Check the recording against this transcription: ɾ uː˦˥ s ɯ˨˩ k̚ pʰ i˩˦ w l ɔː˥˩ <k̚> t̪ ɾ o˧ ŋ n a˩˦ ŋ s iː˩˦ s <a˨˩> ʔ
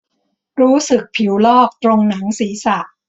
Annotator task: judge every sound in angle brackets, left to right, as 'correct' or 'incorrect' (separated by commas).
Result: correct, correct